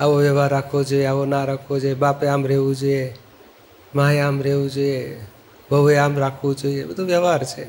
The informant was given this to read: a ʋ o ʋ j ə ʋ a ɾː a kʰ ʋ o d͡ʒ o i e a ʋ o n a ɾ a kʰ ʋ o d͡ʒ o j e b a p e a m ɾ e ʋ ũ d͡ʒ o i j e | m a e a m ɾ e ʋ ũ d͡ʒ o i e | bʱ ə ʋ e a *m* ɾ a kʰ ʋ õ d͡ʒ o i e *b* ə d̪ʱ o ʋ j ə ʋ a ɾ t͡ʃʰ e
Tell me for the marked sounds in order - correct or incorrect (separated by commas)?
correct, correct